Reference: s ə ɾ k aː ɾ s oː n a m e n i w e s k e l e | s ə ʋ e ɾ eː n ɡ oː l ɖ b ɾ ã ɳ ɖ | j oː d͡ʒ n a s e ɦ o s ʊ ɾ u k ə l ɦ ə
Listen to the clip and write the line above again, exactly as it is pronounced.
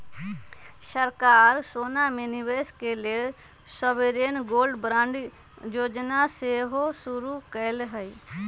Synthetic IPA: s ə ɾ k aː ɾ s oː n a m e n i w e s k e l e | s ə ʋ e ɾ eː n ɡ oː l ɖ b ɾ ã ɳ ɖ | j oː d͡ʒ n a s e ɦ o s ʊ ɾ u k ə l ɦ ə